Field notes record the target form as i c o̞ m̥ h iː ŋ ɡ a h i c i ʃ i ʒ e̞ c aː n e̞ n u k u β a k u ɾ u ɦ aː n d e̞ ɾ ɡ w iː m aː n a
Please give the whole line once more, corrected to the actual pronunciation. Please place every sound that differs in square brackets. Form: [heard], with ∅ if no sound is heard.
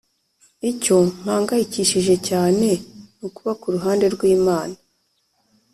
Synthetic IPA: i c o̞ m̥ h [aː] ŋ ɡ a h i c i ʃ i ʒ e̞ c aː n e̞ n u k u β a k u ɾ u ɦ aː n d e̞ ɾ ɡ w iː m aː n a